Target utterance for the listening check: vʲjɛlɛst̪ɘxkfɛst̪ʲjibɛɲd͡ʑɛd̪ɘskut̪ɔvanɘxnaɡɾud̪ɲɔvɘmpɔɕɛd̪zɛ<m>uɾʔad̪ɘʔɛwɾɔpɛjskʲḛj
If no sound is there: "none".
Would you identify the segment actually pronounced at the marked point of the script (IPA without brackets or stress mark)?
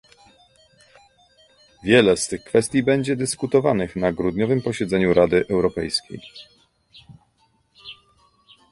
ɲ